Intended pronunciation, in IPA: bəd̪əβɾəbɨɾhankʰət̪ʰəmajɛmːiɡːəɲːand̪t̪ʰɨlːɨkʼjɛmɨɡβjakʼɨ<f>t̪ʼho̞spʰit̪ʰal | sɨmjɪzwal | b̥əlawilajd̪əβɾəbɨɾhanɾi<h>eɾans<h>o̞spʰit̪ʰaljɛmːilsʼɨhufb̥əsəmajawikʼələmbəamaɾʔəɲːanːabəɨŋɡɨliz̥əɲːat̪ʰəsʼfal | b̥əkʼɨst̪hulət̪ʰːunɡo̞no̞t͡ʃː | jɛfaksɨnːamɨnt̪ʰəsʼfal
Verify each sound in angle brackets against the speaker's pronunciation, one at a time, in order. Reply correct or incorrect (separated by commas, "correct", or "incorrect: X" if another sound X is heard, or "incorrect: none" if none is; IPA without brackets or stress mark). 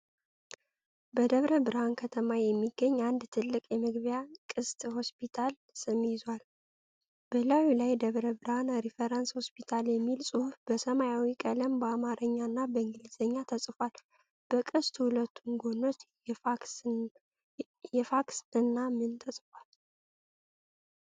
incorrect: s, incorrect: f, correct